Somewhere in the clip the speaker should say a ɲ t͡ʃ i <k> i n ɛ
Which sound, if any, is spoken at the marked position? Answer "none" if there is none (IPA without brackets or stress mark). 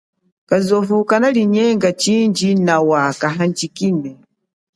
k